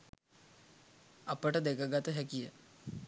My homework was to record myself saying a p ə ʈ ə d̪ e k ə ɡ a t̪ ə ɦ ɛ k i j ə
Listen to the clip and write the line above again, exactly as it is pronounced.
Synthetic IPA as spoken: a p ə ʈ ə d̪ e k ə ɡ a t̪ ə ɦ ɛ k i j ə

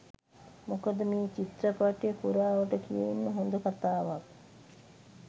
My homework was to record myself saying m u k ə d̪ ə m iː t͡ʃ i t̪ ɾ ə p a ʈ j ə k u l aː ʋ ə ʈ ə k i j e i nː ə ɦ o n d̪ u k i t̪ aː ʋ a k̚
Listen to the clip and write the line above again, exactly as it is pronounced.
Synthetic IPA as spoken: m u k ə d̪ ə m iː t͡ʃ i t̪ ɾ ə p a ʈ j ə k u ɾ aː ʋ ə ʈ ə k i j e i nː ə ɦ o n d̪ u k a t̪ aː ʋ a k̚

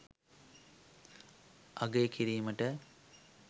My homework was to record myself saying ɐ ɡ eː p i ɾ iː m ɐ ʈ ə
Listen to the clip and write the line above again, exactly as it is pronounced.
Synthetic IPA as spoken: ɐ ɡ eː k i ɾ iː m ə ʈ ə

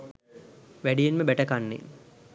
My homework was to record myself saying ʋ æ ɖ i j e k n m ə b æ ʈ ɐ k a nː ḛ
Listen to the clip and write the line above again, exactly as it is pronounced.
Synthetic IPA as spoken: ʋ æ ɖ i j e n m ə b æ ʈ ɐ k a nː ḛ

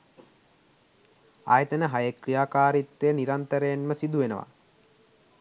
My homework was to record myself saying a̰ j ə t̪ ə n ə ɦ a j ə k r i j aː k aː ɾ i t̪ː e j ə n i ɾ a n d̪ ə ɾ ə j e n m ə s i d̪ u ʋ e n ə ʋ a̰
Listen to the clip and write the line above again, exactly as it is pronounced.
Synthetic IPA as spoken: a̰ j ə t̪ ə n ə ɦ a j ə k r i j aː k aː ɾ i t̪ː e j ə n i ɾ a n t̪ ə ɾ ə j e n m ə s i d̪ u ʋ e n ə ʋ a̰

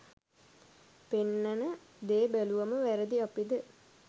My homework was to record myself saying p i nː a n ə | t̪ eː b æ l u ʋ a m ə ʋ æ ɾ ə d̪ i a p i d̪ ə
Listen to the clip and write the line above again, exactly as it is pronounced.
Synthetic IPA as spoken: p e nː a n ə | d̪ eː b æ l u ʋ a m ə ʋ æ ɾ ə d̪ i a p i d̪ ə

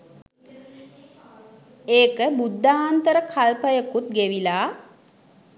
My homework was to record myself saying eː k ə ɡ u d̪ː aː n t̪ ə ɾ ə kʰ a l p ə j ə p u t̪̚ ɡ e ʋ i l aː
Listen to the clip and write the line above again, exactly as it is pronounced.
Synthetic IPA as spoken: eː k ə b u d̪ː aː n t̪ ə ɾ ə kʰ a l p ə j ə k u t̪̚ ɡ e ʋ i l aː

